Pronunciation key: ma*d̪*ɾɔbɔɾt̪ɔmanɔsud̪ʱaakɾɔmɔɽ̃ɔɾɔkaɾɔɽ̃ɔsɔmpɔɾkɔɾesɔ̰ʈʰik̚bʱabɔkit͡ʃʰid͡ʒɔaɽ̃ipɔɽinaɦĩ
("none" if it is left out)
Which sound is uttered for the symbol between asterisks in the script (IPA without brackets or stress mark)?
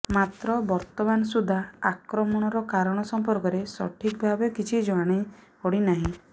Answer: t̪